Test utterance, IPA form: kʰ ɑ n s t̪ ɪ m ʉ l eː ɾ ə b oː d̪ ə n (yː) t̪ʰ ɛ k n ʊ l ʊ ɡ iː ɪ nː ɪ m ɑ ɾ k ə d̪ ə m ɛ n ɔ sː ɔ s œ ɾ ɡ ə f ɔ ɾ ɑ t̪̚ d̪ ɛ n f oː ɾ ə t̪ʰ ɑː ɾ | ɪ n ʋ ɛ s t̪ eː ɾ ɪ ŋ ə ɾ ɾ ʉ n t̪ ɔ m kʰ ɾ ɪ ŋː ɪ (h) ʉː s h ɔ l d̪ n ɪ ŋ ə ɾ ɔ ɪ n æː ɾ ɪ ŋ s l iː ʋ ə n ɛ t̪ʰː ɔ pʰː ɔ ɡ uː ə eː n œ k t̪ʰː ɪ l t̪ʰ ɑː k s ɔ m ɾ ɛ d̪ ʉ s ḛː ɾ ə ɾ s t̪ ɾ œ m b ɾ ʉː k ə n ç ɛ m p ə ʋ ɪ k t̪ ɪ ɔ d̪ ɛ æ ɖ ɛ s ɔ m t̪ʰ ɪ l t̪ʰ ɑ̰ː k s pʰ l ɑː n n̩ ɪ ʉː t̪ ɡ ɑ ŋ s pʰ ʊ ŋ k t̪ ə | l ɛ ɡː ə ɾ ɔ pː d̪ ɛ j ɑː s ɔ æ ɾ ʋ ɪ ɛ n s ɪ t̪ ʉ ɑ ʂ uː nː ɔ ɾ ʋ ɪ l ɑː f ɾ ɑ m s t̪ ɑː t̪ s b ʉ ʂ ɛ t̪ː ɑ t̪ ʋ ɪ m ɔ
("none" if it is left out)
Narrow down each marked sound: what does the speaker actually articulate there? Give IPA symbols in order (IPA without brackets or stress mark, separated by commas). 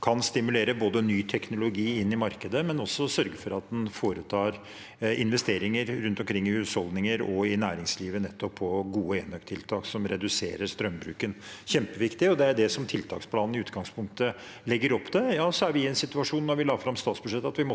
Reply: yː, h